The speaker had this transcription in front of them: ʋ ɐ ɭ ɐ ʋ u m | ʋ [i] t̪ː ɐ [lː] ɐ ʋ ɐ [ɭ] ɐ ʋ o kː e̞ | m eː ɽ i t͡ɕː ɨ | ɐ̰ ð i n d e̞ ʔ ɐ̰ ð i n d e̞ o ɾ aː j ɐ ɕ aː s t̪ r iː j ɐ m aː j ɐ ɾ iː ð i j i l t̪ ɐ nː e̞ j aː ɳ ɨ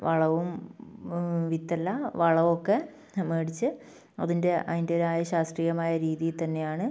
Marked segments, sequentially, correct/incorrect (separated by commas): correct, correct, correct